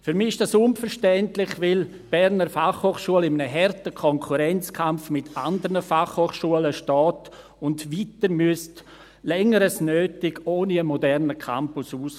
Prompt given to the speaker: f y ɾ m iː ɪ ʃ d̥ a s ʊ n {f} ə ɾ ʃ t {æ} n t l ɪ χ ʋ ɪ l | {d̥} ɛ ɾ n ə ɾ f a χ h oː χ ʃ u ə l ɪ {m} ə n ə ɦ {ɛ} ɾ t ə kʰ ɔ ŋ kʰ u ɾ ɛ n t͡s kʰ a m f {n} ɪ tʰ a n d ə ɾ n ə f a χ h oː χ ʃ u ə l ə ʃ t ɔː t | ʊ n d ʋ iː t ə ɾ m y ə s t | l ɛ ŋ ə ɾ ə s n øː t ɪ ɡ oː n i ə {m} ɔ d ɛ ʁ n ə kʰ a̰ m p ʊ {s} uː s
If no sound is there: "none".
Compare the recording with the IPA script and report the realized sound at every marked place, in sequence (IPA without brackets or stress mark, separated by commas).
f, ɛ, b̥, m, ɛ, m, m, s